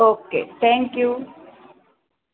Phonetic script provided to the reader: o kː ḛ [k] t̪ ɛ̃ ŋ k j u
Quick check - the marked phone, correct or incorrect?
incorrect